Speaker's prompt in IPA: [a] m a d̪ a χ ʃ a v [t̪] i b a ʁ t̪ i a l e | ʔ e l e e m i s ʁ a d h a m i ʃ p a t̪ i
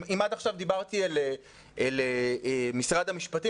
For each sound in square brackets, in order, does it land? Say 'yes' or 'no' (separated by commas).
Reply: no, no